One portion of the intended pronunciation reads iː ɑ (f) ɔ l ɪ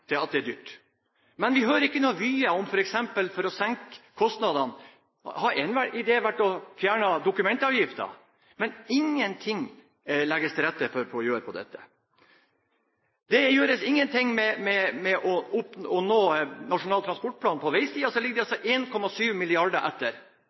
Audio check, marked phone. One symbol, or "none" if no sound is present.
s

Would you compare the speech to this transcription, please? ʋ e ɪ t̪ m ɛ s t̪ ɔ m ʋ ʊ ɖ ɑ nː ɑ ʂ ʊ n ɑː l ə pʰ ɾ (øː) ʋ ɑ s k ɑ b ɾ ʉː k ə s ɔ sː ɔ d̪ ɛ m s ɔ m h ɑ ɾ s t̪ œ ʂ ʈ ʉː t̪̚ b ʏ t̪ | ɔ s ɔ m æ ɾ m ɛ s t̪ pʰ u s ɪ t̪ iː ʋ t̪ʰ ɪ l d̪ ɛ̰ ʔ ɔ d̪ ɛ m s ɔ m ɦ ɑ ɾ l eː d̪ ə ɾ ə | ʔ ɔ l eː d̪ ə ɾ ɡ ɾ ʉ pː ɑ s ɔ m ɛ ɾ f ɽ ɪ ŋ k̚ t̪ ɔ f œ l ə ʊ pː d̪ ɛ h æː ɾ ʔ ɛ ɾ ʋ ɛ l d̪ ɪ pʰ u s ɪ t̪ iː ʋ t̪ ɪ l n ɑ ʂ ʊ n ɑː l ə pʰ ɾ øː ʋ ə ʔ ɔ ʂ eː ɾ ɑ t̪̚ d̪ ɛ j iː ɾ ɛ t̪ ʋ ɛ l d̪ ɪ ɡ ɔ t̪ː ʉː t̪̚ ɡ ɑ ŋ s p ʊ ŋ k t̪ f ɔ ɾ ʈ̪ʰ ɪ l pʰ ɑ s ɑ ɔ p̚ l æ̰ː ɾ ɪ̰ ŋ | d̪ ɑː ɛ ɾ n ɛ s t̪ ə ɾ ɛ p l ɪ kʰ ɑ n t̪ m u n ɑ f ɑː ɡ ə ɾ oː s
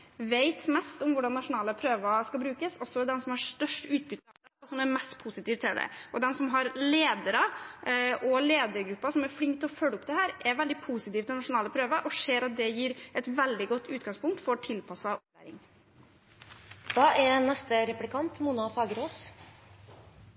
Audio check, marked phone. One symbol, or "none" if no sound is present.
øː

